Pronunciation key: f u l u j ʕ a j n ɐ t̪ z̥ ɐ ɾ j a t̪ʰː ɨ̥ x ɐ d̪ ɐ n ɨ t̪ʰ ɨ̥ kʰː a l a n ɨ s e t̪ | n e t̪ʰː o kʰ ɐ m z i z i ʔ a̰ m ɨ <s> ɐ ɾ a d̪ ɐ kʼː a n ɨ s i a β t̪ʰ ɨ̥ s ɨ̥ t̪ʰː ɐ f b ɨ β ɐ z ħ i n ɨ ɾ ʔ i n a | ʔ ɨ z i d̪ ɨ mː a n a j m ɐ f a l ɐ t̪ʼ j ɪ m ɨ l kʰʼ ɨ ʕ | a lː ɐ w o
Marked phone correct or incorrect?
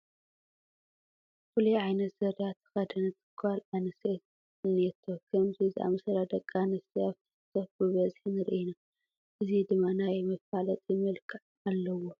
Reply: correct